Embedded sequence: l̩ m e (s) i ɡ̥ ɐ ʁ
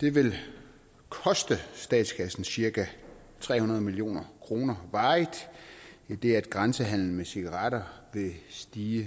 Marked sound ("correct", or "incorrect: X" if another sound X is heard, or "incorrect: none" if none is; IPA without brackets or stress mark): correct